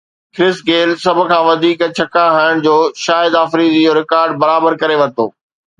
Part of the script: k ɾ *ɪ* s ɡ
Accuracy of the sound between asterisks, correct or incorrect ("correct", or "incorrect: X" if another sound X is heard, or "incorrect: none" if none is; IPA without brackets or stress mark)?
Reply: correct